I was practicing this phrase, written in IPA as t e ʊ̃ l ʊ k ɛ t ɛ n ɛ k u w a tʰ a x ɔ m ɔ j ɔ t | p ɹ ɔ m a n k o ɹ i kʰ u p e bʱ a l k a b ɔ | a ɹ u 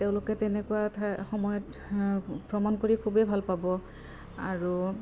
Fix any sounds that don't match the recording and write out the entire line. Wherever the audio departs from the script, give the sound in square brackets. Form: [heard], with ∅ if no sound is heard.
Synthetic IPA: t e ʊ̃ l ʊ k ɛ t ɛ n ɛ k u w a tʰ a x ɔ m ɔ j ɔ t | p ɹ ɔ m a n k o ɹ i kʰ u [b] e bʱ a l [p] a b ɔ | a ɹ u